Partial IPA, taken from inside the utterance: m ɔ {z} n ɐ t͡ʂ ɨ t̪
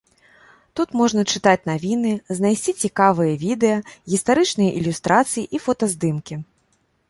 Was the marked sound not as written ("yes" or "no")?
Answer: yes